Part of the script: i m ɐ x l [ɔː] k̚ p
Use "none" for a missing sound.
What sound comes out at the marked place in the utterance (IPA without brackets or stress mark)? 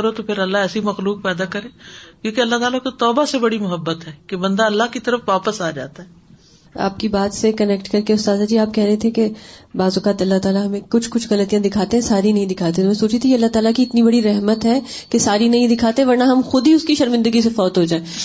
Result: uː